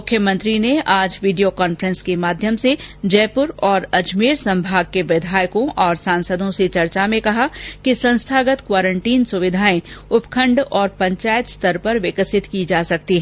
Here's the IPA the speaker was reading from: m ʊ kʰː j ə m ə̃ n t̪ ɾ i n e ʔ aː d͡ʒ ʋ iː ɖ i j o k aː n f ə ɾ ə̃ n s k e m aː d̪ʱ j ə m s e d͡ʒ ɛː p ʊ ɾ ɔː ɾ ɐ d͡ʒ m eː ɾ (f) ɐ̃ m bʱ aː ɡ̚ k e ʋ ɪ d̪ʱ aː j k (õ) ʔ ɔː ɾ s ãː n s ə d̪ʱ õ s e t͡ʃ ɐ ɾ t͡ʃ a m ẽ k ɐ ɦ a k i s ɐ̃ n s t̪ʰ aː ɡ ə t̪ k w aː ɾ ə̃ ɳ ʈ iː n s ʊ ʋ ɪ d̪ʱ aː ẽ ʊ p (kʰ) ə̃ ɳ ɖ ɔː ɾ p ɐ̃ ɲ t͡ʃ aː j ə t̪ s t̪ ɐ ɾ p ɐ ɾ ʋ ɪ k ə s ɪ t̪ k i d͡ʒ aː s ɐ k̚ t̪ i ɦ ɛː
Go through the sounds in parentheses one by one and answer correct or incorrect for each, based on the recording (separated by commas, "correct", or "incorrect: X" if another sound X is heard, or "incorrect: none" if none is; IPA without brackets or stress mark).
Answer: incorrect: s, correct, correct